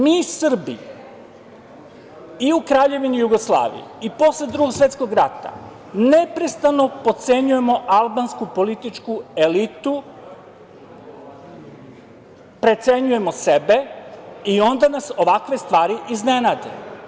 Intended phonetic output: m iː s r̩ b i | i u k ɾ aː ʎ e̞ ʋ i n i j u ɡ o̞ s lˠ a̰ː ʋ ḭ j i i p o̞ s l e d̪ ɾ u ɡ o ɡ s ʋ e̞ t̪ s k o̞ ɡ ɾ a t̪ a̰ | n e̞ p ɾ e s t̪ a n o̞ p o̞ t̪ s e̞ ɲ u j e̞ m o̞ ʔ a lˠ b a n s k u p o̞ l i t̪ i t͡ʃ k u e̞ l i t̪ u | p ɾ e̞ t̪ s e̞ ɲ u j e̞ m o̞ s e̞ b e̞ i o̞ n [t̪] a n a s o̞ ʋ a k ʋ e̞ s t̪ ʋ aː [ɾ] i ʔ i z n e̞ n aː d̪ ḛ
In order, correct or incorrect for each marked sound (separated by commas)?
incorrect, correct